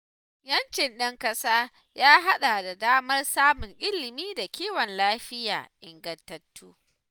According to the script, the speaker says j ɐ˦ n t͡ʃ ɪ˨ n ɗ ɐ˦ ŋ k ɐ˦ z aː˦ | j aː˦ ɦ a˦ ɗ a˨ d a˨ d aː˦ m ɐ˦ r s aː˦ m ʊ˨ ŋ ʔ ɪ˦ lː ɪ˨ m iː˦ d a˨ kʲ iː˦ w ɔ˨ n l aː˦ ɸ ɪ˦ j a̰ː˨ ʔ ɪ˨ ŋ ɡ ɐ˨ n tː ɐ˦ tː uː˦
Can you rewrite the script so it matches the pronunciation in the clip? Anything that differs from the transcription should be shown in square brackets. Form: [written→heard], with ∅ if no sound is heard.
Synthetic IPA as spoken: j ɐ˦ n t͡ʃ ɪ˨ n ɗ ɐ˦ ŋ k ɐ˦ [z→s] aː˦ | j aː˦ ɦ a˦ ɗ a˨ d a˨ d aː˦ m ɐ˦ r s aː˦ m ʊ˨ ŋ ʔ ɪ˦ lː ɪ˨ m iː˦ d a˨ kʲ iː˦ w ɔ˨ n l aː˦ ɸ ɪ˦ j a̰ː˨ ʔ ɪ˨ ŋ ɡ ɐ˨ n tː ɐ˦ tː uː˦